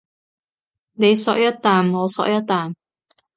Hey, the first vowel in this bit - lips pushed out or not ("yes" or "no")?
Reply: no